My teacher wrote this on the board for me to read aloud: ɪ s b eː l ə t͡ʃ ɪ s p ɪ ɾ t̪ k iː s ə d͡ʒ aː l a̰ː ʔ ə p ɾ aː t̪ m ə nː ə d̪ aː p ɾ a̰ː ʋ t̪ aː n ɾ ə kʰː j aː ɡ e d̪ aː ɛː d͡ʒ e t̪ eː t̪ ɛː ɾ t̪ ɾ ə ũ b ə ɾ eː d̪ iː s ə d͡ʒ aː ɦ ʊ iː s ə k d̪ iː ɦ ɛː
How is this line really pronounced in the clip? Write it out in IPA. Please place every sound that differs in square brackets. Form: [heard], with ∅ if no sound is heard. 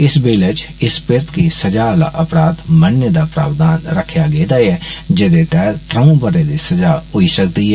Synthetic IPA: ɪ s b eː l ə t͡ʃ ɪ s p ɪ ɾ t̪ k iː s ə d͡ʒ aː l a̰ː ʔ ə p ɾ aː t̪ m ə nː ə d̪ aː p ɾ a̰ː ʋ [d̪] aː n ɾ ə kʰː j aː ɡ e d̪ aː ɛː d͡ʒ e [d̪] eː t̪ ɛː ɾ t̪ ɾ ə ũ b ə ɾ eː d̪ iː s ə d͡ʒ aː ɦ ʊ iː s ə k d̪ iː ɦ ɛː